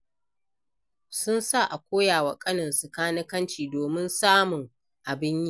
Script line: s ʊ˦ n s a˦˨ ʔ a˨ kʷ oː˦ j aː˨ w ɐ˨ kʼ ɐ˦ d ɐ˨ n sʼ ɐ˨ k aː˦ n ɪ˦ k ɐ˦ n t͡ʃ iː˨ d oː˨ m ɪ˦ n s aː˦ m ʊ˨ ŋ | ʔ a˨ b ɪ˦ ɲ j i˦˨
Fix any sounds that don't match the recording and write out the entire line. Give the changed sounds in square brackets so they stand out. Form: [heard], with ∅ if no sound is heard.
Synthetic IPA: s ʊ˦ n s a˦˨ ʔ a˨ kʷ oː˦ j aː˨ w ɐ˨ kʼ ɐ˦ [n] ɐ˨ n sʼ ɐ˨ k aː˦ n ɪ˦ k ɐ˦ n t͡ʃ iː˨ d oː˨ m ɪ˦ n s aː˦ m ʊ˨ ŋ | ʔ a˨ b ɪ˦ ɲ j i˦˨

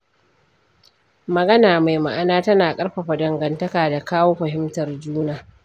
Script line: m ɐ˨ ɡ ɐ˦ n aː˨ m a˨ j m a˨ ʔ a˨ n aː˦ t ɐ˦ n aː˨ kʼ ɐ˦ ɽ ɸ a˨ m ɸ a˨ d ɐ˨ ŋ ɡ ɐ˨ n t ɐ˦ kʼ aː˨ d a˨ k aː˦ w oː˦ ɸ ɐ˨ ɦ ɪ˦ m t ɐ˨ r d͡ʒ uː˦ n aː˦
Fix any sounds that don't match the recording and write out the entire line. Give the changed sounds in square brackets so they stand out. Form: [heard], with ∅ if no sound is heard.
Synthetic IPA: m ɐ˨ ɡ ɐ˦ n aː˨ m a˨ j m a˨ ʔ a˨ n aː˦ t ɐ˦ n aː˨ kʼ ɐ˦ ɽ ɸ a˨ [∅] ɸ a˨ d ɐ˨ ŋ ɡ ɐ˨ n t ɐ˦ [k] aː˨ d a˨ k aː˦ w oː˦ ɸ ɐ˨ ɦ ɪ˦ m t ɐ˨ r d͡ʒ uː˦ n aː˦

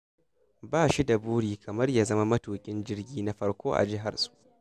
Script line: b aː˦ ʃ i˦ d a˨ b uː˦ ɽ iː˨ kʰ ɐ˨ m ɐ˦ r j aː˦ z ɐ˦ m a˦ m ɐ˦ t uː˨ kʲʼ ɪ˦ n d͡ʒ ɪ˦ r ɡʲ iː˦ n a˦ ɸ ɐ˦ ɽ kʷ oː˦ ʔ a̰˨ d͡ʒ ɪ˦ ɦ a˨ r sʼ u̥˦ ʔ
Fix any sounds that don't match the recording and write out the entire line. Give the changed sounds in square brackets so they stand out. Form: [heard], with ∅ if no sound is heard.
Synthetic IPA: b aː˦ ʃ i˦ d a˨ b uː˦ ɽ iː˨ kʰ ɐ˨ m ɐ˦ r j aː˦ z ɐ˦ m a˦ m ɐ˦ t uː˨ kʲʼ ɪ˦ n d͡ʒ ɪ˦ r ɡʲ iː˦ n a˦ ɸ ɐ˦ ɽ kʷ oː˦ ʔ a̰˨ d͡ʒ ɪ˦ ɦ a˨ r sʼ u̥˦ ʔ

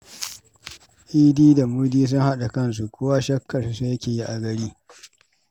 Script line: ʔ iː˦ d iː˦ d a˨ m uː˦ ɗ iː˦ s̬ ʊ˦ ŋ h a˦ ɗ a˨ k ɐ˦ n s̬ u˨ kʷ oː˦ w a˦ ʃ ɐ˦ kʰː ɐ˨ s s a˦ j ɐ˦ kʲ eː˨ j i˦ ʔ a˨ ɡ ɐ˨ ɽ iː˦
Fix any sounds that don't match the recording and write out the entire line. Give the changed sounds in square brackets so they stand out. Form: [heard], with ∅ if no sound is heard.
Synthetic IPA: ʔ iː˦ d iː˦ d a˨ m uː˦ [d] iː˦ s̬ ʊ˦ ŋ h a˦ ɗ a˨ k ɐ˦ n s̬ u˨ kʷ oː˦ w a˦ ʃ ɐ˦ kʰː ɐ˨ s s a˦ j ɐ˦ kʲ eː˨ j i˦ ʔ a˨ ɡ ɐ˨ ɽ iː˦

